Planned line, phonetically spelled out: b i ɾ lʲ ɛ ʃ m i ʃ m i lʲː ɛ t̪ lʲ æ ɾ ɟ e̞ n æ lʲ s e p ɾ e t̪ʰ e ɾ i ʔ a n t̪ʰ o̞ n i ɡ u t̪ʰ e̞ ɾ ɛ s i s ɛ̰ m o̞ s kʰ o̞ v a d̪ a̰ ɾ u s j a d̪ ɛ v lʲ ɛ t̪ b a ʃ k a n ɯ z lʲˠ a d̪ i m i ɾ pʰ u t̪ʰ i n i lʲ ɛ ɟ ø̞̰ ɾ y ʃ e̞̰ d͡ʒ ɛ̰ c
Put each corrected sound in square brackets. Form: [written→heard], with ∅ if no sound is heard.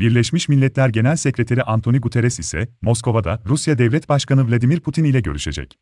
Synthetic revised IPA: b i ɾ lʲ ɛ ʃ m i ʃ m i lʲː ɛ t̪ lʲ æ ɾ ɟ e̞ n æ lʲ s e [p→c] ɾ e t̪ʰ e ɾ i ʔ a n t̪ʰ o̞ n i ɡ u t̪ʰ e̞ ɾ ɛ s i s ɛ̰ m o̞ s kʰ o̞ v a d̪ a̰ ɾ u s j a d̪ ɛ v lʲ ɛ t̪ b a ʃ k a n ɯ [z→v] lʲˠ a d̪ i m i ɾ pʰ u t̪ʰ i n i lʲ ɛ ɟ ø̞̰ ɾ y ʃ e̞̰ d͡ʒ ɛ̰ c